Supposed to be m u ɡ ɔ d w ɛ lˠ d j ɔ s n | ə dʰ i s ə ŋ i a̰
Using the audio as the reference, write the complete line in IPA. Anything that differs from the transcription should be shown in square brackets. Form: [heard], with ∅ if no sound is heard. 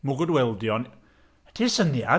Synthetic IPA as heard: m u ɡ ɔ d w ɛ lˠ d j ɔ [∅] n | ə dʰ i s ə [n] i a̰